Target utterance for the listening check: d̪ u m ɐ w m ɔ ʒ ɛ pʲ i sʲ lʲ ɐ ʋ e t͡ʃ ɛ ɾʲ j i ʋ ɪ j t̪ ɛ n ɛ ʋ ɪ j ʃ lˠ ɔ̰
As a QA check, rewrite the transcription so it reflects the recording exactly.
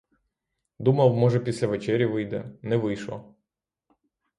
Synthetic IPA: d̪ u m ɐ w m ɔ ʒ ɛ pʲ i sʲ lʲ ɐ ʋ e t͡ʃ ɛ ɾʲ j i ʋ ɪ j d̪ ɛ n ɛ ʋ ɪ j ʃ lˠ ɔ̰

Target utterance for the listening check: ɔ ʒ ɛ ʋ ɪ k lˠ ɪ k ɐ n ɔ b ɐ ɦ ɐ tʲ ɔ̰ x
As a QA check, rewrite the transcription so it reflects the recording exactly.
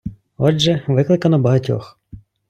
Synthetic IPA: ɔ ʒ ɛ ʋ ɪ k lˠ ɪ k ɐ n ɔ b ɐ ɦ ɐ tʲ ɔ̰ x

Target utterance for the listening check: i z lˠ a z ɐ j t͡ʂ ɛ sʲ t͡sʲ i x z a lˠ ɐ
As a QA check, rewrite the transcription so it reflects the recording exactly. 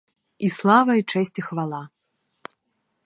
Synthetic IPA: i s lˠ a v ɐ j t͡ʂ ɛ sʲ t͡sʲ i x v a lˠ a

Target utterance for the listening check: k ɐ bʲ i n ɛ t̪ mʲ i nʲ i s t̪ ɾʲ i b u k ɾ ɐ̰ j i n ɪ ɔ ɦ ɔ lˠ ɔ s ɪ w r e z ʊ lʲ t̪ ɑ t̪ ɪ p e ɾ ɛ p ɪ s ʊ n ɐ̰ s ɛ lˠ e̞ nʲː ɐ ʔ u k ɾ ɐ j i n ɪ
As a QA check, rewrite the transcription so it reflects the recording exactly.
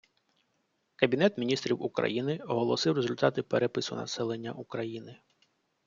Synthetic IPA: k ɐ bʲ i n ɛ t̪ mʲ i nʲ i s t̪ ɾʲ i w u k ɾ ɐ̰ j i n ɪ ɔ ɦ ɔ lˠ ɔ s ɪ w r e z ʊ lʲ t̪ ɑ t̪ ɪ p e ɾ ɛ p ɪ s ʊ n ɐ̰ s ɛ lˠ e̞ nʲː ɐ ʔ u k ɾ ɐ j i n ɪ

